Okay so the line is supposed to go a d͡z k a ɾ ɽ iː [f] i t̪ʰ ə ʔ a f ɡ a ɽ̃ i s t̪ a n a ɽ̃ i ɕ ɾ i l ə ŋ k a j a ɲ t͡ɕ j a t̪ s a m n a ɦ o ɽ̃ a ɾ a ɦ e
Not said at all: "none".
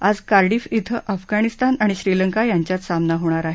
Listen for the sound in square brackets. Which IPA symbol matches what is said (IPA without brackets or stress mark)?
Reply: f